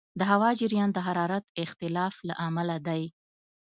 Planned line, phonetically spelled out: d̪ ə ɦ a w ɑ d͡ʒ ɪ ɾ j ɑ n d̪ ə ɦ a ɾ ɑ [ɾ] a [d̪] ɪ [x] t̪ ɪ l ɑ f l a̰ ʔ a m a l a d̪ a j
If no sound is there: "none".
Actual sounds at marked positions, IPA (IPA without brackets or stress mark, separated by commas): ɾ, t̪, x